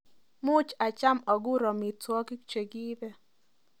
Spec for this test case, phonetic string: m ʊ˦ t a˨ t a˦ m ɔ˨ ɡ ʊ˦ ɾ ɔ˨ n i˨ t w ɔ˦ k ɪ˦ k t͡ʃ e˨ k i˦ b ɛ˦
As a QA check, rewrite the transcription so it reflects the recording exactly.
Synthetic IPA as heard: m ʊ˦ t͡ʃ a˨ t͡ʃ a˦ m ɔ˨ ɡ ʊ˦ ɾ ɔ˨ m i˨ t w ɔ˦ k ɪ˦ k t͡ʃ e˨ ɡ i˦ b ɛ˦